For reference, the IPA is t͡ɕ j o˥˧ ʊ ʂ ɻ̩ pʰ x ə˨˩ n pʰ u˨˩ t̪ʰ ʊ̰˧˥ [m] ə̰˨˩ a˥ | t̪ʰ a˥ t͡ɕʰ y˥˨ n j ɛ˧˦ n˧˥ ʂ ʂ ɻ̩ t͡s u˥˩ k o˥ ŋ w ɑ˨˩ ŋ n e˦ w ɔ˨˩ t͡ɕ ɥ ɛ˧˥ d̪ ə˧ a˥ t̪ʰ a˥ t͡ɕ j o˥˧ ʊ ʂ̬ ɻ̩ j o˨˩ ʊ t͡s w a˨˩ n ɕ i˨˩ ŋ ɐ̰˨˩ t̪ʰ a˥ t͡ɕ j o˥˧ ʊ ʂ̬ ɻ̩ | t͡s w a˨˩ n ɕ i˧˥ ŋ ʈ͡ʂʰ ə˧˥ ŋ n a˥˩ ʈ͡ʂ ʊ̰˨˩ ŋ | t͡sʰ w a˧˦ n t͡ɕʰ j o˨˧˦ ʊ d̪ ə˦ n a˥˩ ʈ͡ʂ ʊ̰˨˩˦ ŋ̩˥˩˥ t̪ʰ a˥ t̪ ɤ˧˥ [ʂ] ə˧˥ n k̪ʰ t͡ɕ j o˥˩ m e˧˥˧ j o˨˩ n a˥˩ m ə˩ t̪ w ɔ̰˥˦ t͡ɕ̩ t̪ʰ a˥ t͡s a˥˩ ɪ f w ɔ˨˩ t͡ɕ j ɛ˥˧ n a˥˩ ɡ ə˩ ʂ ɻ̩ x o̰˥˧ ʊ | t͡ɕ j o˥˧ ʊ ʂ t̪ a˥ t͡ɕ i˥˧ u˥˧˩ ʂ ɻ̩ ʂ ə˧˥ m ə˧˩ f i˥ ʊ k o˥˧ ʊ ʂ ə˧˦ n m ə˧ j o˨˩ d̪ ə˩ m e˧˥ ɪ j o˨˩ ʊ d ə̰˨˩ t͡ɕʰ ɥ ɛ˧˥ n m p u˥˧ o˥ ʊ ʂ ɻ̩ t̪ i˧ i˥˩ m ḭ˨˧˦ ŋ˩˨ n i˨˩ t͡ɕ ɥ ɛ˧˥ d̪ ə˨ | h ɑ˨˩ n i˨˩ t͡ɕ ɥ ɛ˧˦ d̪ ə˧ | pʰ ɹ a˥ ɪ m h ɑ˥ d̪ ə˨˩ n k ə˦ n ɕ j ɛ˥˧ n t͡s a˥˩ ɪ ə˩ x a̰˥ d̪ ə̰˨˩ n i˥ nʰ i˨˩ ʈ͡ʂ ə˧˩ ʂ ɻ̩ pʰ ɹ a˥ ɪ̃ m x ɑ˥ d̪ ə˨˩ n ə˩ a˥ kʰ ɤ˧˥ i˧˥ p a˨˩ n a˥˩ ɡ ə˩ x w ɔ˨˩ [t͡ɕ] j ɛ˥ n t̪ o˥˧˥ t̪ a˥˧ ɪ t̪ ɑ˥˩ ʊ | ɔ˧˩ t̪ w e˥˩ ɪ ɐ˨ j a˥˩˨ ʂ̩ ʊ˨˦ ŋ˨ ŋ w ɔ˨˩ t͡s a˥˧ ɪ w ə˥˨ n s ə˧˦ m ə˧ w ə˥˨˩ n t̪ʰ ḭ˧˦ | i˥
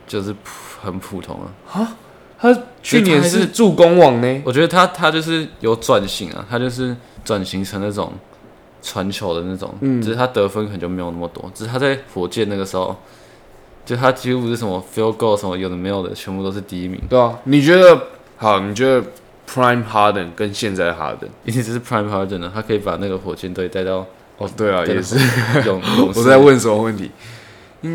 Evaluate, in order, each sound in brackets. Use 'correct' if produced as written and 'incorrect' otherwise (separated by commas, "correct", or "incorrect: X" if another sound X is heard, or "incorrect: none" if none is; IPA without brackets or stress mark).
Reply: incorrect: ŋ, incorrect: f, correct